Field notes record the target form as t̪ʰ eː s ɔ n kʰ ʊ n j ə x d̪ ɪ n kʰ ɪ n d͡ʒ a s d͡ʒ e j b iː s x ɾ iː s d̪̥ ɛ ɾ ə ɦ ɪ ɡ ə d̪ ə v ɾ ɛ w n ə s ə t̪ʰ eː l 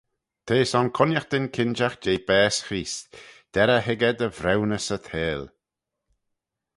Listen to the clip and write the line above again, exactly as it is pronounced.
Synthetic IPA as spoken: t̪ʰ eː s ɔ n kʰ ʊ n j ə x d̪ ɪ n kʰ ɪ n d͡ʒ a x d͡ʒ e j b ɛː s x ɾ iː s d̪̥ ɛ ɾ ə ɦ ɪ ɡ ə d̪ ə v ɾ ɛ w n ə s ə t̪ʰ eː l